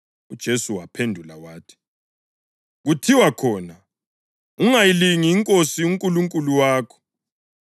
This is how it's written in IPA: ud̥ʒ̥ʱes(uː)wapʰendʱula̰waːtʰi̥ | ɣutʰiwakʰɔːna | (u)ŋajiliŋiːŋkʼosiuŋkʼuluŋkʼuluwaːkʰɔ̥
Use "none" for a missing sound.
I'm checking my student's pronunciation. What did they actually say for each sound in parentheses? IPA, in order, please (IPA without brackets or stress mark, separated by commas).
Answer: u, u